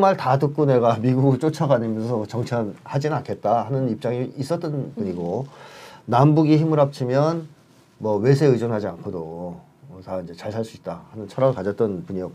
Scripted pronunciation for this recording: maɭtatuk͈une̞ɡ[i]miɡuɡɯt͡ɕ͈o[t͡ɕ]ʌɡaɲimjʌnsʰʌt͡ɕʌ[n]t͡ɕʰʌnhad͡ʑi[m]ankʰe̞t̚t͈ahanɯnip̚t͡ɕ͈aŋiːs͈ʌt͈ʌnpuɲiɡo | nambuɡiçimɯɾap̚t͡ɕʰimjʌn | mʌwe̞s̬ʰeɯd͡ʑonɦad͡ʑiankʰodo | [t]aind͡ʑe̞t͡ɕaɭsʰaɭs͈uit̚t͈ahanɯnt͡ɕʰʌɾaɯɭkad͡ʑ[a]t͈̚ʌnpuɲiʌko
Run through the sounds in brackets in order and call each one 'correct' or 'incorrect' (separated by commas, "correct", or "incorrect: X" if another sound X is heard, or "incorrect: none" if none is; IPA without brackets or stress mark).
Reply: incorrect: a, incorrect: t͡ɕʰ, incorrect: ŋ, incorrect: n, correct, incorrect: ʌ